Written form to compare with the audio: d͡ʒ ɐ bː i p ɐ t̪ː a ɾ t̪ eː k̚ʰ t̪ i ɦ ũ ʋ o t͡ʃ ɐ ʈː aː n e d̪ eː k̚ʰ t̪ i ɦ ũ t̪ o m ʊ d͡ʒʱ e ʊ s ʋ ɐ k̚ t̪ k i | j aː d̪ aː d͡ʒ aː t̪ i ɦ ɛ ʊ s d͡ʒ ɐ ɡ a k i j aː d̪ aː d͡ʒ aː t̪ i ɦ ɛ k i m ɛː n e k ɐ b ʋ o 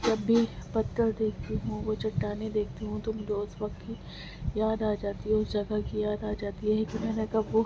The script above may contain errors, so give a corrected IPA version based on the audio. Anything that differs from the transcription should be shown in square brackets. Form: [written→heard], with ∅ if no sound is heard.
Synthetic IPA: d͡ʒ ɐ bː i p ɐ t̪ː [a→ə] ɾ [t̪→d̪] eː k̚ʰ t̪ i ɦ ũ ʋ o t͡ʃ ɐ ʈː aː n e d̪ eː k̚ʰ t̪ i ɦ ũ t̪ o m ʊ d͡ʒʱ e ʊ s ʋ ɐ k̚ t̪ k i | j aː d̪ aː d͡ʒ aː t̪ i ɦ ɛ ʊ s d͡ʒ ɐ ɡ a k i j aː d̪ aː d͡ʒ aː t̪ i ɦ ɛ k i m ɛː n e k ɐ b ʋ o